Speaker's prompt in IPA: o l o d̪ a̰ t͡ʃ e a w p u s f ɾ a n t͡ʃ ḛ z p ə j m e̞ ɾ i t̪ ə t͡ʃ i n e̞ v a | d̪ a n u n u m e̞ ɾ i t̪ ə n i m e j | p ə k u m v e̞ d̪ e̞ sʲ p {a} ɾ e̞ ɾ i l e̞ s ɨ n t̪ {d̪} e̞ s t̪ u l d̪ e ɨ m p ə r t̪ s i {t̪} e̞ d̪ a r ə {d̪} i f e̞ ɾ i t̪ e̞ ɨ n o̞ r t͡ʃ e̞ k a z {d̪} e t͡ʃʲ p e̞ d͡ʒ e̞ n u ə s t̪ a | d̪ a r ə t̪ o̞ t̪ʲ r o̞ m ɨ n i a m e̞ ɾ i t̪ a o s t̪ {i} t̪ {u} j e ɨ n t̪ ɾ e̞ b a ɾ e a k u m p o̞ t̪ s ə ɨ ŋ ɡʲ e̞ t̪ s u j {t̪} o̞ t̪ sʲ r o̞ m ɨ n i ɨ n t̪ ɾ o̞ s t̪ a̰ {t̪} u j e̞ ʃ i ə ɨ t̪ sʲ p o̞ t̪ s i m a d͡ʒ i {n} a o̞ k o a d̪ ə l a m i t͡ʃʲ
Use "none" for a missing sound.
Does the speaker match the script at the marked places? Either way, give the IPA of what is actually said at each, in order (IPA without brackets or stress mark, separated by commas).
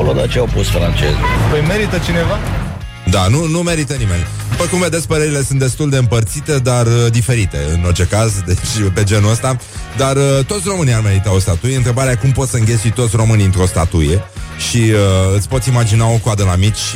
ə, d̪, t̪, d̪, d̪, a, u, t̪, t̪, n